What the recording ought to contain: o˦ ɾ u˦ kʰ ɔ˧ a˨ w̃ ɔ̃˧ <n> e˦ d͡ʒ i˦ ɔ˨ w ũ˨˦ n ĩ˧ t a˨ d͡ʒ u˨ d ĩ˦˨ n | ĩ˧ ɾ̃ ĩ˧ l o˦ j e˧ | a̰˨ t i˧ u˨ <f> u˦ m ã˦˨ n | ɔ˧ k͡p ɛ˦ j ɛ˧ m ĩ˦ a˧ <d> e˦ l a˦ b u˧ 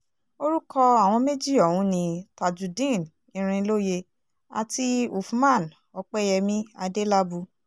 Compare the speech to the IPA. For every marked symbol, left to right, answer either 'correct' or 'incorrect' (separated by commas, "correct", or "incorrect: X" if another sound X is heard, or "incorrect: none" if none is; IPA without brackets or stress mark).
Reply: incorrect: m, correct, correct